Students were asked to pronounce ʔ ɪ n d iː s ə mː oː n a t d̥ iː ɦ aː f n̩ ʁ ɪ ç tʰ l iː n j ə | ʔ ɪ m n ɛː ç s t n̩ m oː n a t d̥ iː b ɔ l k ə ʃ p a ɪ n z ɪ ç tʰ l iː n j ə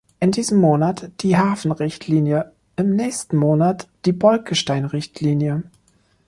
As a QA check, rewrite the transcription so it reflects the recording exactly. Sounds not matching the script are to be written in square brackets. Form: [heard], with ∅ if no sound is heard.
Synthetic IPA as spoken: ʔ ɪ n d iː [z] ə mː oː n a t d̥ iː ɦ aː f n̩ ʁ ɪ ç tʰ l iː n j ə | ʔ ɪ m n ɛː ç s t n̩ m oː n a t d̥ iː b ɔ l k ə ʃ [t] a ɪ n [ʁ] ɪ ç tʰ l iː n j ə